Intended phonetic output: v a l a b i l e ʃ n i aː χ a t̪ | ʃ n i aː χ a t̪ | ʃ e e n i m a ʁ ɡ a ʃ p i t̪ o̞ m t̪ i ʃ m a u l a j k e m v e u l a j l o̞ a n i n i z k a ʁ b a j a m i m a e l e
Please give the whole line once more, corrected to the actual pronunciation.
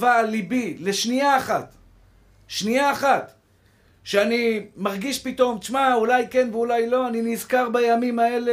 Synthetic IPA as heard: v a l i b i l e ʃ n i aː χ a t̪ | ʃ n i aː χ a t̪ | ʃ e a n i m a ʁ ɡ i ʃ p i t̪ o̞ m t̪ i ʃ m a u l a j k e n v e u l a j l o̞ a n i n i z k a ʁ b a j a m i m a e l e